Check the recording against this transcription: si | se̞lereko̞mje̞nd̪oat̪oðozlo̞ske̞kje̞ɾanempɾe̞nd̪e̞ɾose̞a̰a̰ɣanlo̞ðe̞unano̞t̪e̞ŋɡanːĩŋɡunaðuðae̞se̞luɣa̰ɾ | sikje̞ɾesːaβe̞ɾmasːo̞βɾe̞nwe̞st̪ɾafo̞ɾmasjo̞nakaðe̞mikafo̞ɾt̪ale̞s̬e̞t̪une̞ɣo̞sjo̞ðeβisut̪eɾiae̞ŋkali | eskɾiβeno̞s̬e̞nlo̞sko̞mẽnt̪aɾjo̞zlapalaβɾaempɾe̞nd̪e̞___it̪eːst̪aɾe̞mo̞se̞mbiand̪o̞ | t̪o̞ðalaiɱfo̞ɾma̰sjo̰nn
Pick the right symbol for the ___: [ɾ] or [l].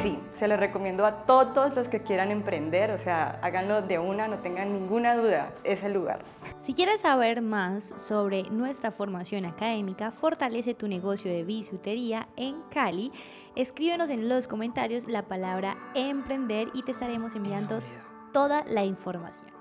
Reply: ɾ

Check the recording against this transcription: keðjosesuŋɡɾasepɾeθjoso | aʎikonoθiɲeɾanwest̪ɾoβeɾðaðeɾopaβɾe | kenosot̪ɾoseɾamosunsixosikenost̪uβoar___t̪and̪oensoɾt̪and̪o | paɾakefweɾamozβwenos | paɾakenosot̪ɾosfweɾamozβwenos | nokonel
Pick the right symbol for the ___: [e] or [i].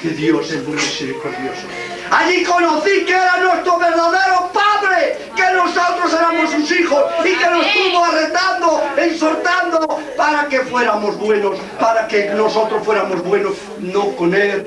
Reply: e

